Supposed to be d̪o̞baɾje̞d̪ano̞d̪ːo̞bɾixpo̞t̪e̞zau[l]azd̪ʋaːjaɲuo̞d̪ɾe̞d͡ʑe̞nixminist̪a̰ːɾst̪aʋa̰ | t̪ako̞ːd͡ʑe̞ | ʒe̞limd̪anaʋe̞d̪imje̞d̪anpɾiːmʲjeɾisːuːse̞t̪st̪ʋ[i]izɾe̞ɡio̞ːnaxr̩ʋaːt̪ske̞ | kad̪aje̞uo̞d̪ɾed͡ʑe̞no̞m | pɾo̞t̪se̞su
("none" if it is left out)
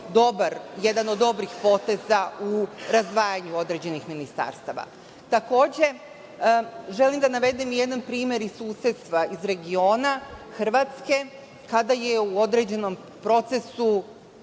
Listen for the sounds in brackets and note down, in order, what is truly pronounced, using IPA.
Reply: ɾ, a

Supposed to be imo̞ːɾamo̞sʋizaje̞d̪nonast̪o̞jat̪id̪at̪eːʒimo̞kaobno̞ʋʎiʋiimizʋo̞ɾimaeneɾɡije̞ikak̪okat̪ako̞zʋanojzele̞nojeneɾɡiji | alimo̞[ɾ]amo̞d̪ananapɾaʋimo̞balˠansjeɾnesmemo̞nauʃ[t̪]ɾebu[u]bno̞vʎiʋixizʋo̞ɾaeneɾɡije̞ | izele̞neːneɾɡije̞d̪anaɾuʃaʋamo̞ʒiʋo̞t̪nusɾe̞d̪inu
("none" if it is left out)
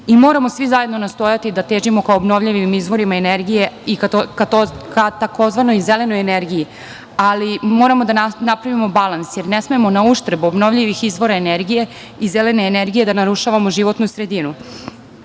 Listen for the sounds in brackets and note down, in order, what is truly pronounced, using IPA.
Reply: ɾ, t̪, o

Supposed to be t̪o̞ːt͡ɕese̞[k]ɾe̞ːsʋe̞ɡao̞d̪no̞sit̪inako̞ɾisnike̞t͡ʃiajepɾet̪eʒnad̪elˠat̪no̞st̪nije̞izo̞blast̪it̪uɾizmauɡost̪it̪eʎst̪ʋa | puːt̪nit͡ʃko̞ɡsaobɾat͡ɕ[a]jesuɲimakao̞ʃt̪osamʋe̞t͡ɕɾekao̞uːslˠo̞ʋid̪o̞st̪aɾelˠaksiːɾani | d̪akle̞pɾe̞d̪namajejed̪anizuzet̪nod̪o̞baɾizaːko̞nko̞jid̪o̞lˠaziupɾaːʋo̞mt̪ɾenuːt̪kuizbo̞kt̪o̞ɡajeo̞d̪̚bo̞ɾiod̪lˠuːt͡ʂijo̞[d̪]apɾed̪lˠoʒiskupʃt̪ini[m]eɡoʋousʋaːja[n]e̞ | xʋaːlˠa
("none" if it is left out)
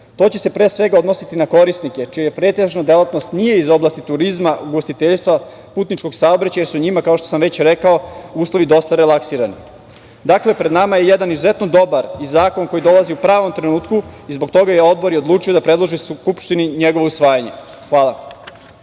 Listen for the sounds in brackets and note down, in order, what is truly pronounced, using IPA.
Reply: p, a, d̪, ɲ, ɲ

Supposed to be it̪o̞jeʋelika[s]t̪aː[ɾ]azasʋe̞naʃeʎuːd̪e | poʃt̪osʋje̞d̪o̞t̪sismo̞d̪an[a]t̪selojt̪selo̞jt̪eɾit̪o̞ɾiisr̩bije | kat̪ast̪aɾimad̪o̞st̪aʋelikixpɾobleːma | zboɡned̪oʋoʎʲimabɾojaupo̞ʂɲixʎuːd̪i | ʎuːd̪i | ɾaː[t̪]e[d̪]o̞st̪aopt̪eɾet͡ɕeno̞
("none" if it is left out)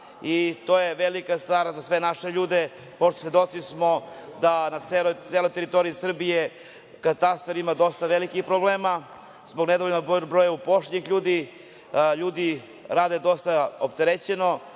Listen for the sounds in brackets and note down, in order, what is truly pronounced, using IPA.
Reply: s, ɾ, a, d̪, d̪

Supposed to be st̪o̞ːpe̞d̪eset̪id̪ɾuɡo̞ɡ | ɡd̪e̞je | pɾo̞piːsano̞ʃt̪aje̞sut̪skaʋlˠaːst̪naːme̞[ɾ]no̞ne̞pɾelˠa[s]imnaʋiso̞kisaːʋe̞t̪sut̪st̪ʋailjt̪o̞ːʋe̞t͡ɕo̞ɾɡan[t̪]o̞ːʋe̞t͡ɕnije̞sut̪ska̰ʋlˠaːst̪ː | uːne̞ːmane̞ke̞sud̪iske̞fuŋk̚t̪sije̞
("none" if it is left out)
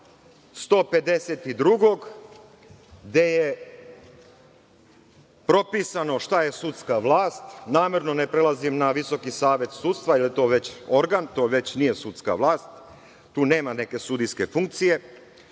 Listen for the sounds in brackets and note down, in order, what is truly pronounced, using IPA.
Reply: ɾ, z, t̪

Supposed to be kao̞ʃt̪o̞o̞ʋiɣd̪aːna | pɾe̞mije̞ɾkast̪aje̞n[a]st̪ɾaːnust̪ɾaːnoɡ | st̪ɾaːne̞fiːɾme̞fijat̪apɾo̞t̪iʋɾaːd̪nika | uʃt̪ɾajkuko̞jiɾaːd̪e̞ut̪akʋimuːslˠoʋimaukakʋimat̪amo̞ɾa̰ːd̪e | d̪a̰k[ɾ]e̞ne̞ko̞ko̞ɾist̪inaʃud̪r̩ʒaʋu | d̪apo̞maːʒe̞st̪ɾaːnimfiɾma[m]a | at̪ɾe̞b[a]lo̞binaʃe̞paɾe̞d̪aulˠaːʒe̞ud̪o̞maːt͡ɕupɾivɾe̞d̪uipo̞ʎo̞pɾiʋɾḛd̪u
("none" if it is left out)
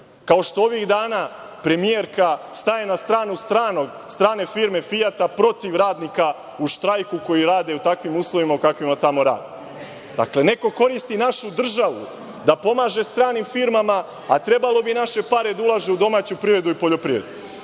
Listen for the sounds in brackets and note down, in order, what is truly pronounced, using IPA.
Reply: a, l, m, a

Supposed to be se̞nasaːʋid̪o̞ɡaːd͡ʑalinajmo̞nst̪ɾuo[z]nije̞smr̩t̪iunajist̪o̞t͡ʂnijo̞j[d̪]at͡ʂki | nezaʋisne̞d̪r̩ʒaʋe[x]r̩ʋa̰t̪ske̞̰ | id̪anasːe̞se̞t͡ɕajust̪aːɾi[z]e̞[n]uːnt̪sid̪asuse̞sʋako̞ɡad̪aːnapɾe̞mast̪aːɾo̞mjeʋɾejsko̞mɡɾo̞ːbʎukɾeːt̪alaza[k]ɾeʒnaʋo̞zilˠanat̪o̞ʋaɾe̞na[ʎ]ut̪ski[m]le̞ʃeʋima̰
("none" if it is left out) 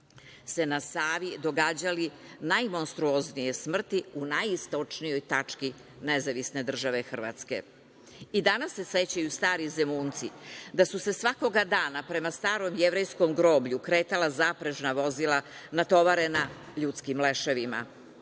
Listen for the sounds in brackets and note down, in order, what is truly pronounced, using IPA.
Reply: z, t̪, x, z, m, p, ʎ, m

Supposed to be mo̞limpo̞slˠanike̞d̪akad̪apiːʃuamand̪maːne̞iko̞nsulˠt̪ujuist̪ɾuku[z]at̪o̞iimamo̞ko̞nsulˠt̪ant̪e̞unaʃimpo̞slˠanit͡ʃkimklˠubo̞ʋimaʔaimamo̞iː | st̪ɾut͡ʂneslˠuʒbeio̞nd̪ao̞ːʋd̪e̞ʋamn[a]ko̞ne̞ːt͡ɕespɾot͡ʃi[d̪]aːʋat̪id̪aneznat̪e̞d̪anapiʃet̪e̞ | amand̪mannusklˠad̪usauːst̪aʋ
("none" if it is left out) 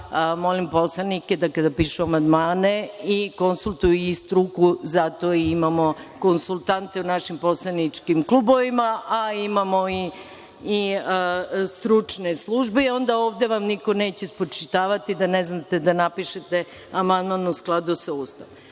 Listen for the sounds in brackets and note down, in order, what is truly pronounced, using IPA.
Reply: z, i, t̪

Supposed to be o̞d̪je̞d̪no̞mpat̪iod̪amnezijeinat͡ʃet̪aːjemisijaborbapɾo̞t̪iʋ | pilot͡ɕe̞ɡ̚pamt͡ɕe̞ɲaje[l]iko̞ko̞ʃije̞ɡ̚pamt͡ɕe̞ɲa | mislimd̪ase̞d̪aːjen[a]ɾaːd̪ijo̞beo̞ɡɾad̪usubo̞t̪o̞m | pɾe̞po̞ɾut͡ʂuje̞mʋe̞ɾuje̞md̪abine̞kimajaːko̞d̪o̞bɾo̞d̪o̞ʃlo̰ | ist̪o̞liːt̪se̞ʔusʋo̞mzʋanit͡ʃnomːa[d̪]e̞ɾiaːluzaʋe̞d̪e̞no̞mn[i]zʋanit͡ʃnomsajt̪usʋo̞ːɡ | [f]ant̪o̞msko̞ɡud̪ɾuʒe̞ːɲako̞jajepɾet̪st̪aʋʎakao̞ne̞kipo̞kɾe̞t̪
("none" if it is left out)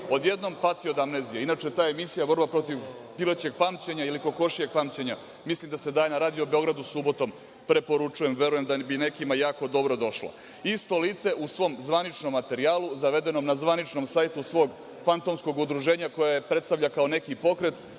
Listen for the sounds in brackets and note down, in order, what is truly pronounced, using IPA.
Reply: l, a, t̪, a, f

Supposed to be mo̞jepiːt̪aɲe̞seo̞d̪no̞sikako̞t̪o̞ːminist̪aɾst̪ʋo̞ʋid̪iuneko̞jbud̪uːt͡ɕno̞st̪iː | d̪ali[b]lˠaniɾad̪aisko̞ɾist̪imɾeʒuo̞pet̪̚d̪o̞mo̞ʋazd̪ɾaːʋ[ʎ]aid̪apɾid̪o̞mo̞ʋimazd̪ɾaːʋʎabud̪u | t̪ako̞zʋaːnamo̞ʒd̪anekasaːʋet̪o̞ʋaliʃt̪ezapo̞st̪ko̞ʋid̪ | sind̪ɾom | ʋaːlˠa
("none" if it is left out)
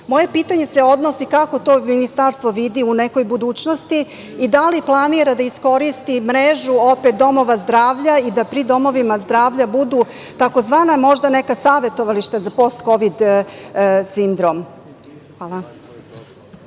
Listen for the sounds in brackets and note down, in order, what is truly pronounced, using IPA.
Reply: p, ʎ

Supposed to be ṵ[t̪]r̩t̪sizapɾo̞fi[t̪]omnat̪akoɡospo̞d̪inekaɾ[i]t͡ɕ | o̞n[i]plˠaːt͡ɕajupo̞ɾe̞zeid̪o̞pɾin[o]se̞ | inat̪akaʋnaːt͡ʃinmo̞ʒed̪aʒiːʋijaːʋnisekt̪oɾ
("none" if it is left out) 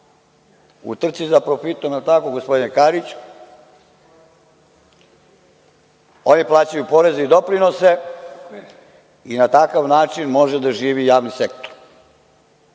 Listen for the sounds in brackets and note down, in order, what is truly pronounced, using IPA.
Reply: t̪, t̪, i, i, o

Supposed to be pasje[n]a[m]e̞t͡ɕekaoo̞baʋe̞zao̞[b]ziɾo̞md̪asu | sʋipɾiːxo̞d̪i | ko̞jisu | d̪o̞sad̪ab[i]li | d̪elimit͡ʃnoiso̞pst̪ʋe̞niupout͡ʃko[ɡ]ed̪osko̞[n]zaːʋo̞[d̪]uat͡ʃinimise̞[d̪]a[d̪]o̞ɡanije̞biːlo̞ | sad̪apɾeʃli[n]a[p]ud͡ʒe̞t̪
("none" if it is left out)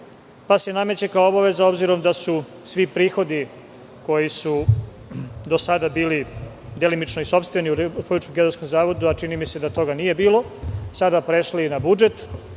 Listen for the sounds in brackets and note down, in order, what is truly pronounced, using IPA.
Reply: n, m, b, iː, ɡ, m, d̪, d̪, t̪, n, b

